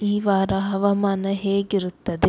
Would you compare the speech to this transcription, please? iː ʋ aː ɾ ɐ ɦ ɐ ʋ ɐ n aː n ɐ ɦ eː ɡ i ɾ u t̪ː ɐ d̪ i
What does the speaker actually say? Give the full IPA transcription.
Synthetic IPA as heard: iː ʋ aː ɾ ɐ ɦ ɐ ʋ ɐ m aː n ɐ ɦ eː ɡ i ɾ u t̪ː ɐ d̪ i